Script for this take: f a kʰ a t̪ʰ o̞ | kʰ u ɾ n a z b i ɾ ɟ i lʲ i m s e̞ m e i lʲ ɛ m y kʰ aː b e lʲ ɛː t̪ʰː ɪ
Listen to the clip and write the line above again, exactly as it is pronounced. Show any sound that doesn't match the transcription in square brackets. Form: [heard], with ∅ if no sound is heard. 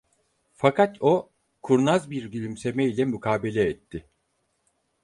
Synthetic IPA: f a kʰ a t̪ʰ o̞ | kʰ u ɾ n a z b i ɾ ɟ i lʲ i m s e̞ m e i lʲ ɛ m y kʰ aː b e lʲ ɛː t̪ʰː ɪ